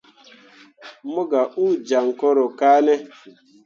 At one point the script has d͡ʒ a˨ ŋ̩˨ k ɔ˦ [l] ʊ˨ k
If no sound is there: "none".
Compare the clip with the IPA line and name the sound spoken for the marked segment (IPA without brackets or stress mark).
ɾ